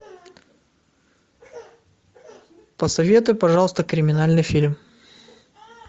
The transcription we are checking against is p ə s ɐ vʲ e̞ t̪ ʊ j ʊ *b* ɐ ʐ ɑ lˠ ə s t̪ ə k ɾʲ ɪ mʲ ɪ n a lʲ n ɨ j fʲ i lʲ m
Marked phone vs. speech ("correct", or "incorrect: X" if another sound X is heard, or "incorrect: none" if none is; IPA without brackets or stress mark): incorrect: p